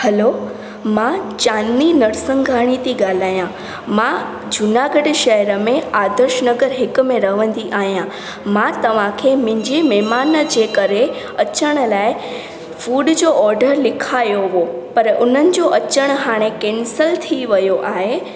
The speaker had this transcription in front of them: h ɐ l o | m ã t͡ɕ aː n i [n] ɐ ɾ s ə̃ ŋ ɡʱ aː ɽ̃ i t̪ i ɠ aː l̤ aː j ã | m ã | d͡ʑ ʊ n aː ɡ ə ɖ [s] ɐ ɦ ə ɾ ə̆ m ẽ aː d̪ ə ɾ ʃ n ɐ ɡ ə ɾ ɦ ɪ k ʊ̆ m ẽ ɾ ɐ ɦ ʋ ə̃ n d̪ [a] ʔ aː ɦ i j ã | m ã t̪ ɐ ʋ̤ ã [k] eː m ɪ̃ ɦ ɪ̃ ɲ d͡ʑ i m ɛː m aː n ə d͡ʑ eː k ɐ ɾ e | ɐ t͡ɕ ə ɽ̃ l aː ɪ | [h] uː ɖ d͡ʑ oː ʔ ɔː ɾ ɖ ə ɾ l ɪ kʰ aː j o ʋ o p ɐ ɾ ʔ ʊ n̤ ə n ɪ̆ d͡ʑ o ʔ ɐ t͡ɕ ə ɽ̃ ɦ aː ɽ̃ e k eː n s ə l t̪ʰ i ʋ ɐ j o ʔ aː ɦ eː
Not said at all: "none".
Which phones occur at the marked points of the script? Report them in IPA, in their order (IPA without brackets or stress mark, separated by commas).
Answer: n, ʃ, i, kʰ, f